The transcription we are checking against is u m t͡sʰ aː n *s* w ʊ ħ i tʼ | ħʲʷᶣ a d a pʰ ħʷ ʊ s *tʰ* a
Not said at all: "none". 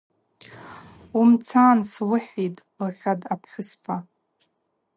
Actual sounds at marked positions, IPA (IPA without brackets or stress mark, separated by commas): s, pʰ